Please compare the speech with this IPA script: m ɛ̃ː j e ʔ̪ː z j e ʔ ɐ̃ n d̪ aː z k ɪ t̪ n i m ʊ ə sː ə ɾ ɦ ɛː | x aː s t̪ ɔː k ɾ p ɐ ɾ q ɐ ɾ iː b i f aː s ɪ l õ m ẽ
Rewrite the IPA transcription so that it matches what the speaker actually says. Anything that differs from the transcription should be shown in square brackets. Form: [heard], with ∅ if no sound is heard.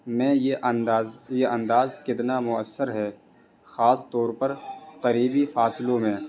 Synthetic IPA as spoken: m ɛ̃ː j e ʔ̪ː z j e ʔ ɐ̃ n d̪ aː z k ɪ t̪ n [a] m ʊ ə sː ə ɾ ɦ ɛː | x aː s t̪ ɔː [∅] ɾ p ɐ ɾ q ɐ ɾ iː b i f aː s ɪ l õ m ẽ